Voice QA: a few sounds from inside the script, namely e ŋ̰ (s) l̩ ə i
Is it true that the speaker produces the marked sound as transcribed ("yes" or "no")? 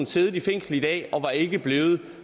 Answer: yes